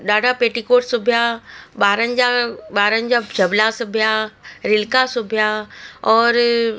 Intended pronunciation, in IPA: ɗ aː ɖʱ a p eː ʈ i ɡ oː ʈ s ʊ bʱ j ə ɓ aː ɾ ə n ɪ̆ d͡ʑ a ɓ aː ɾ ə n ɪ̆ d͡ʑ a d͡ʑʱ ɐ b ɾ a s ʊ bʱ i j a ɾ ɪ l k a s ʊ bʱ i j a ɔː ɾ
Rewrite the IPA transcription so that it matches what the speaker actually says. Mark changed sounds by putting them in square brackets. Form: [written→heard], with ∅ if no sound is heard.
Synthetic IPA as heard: ɗ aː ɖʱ a p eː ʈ i [ɡ→k] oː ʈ s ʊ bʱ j [ə→a] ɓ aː ɾ ə n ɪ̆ d͡ʑ a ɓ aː ɾ ə n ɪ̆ d͡ʑ a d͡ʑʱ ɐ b [ɾ→l] a s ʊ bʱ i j a ɾ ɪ l k a s ʊ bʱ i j a ɔː ɾ